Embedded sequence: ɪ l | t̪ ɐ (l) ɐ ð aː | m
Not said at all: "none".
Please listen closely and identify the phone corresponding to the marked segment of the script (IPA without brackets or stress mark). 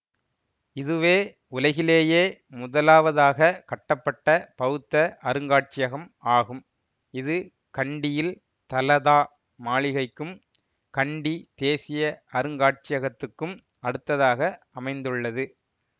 l